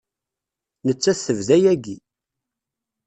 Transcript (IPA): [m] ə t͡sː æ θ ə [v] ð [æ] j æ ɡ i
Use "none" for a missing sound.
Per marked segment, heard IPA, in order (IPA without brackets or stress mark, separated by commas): n, v, æ